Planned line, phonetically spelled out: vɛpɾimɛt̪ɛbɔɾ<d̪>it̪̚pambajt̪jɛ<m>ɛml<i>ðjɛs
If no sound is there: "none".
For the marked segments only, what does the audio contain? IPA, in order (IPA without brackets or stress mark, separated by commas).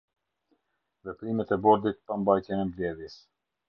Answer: d̪, n, ɛ